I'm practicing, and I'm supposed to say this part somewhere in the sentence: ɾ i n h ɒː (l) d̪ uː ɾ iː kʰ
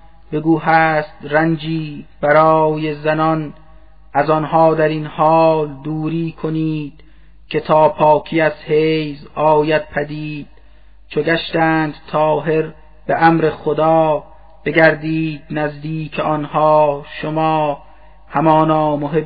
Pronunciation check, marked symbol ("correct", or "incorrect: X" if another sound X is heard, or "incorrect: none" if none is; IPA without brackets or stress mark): correct